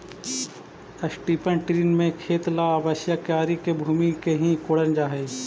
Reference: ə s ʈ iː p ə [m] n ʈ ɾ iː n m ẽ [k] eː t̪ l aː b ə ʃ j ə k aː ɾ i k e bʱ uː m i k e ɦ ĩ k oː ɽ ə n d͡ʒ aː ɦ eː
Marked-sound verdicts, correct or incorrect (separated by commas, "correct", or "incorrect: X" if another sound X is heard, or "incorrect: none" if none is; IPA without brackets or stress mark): incorrect: none, incorrect: kʰ